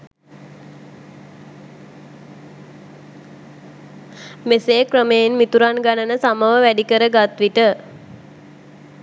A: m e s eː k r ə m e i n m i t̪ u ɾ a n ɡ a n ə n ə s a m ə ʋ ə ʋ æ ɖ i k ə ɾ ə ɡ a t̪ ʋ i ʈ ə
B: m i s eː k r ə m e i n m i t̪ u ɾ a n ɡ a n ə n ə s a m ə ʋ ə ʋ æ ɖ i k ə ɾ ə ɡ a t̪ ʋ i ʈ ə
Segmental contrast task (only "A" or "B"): A